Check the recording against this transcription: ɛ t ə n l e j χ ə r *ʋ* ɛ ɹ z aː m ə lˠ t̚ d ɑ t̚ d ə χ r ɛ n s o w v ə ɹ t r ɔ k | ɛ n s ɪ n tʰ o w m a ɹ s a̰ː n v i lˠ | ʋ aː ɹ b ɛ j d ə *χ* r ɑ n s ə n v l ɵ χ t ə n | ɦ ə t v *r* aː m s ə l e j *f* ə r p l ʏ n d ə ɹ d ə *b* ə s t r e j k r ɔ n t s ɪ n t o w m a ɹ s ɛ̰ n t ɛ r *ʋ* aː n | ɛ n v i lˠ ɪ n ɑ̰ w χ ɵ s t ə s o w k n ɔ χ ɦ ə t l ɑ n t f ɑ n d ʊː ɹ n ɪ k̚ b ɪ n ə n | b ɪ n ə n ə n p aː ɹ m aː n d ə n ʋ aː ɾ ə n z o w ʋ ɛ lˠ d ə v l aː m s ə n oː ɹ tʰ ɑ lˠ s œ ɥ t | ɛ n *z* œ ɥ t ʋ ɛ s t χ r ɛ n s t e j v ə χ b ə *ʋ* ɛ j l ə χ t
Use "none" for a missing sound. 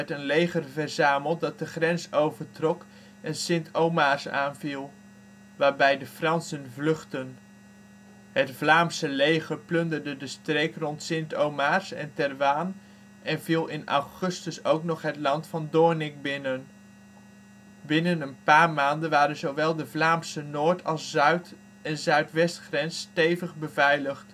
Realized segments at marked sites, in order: v, f, l, χ, d, ʋ, z, v

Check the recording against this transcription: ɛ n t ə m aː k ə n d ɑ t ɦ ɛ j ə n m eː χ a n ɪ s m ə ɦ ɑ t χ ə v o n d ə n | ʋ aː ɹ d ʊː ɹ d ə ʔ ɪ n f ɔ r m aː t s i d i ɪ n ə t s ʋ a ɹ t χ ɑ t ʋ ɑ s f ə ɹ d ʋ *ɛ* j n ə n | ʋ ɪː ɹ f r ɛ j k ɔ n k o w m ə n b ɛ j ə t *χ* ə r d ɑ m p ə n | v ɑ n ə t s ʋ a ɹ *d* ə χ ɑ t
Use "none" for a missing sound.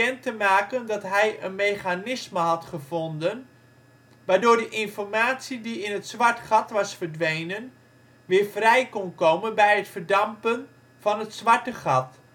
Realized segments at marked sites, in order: e, f, t

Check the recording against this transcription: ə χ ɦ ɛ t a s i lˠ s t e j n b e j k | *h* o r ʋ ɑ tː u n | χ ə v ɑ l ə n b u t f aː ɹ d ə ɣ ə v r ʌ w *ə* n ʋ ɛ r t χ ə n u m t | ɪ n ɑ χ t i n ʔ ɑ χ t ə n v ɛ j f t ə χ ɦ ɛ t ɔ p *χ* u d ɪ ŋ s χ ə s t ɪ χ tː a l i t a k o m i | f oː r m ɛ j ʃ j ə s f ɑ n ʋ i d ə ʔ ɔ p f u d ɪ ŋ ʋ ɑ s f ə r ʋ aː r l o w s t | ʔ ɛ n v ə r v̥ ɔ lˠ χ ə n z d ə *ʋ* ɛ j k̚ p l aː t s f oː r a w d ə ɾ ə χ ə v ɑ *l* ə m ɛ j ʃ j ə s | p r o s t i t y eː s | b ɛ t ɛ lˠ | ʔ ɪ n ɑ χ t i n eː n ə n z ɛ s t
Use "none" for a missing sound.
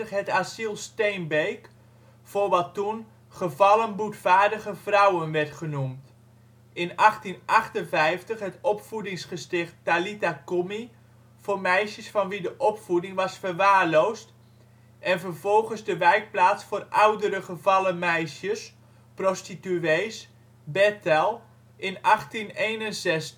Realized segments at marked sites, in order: f, ə, f, ʋ, l

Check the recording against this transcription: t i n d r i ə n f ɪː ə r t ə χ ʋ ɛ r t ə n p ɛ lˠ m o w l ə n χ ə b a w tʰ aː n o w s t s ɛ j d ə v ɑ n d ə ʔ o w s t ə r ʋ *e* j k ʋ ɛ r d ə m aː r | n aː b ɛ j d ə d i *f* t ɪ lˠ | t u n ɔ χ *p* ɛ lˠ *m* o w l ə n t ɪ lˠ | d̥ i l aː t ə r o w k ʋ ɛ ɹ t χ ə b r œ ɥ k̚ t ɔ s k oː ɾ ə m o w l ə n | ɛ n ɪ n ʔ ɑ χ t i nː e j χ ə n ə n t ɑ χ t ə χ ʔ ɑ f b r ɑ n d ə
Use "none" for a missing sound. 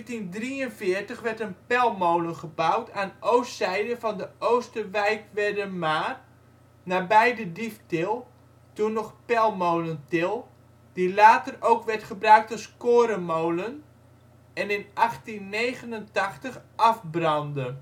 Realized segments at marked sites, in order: ɛ, f, p, m

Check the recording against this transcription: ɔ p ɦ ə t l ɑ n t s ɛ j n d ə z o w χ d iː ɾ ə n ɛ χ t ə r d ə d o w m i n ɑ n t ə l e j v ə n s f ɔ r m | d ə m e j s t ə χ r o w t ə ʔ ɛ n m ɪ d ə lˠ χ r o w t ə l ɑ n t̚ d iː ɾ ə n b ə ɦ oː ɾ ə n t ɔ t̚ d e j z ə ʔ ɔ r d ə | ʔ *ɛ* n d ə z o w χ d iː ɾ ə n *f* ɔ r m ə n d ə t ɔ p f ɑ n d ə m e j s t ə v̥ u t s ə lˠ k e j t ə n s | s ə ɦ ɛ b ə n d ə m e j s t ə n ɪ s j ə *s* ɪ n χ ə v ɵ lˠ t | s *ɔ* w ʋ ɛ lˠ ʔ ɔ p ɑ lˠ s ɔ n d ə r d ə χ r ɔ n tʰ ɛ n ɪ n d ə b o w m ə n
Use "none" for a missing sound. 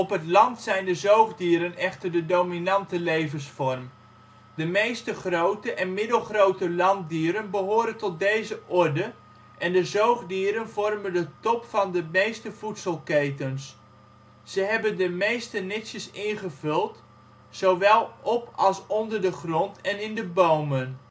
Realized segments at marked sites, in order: ɛ, v, s, o

